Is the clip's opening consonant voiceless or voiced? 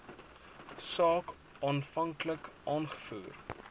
voiceless